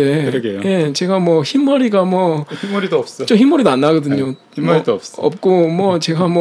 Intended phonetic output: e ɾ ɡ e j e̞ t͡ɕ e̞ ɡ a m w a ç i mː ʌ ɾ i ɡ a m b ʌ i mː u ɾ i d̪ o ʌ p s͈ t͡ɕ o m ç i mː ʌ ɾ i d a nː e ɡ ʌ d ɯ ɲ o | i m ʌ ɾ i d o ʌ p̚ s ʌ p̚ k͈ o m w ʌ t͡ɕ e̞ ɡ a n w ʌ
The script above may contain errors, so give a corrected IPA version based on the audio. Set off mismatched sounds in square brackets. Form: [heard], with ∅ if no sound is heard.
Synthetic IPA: e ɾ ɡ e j e̞ t͡ɕ e̞ ɡ a m w [ʌ] ç i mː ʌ ɾ i ɡ a m [w] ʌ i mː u ɾ i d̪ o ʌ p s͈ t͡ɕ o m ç i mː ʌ ɾ i d a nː [a] ɡ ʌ d ɯ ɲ o | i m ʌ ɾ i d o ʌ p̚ s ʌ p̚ k͈ o m w ʌ t͡ɕ e̞ ɡ a [m] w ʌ